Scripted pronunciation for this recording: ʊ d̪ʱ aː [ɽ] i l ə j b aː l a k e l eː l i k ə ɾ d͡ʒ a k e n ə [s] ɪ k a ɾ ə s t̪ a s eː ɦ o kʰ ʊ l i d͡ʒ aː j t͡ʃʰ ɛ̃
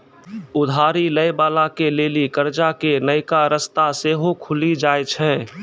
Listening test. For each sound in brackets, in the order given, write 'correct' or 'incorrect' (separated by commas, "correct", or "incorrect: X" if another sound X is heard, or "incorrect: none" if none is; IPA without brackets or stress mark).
incorrect: ɾ, incorrect: none